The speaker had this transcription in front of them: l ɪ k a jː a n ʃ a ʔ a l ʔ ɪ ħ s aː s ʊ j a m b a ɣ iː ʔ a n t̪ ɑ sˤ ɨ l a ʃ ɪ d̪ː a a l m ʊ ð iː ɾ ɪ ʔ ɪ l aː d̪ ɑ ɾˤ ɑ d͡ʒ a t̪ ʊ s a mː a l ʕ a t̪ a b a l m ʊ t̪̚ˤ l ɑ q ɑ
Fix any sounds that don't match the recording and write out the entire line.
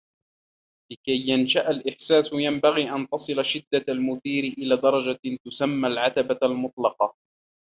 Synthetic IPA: l ɪ k a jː a n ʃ a ʔ a l ʔ ɪ ħ s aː s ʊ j a m b a ɣ iː ʔ a n t̪ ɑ sˤ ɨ l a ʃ ɪ d̪ː a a l m ʊ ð iː ɾ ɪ ʔ ɪ l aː d̪ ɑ ɾˤ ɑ d͡ʒ a t̪ ʊ s a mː a l ʕ a t̪ a b a l m ʊ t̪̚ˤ l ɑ q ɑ